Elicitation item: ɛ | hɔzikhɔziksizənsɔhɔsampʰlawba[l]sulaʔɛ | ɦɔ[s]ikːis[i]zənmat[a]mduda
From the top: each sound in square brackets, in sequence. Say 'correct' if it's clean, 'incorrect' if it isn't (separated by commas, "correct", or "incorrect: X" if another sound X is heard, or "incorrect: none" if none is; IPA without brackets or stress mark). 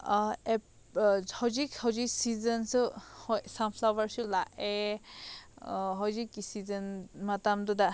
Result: incorrect: ɹ, incorrect: z, correct, correct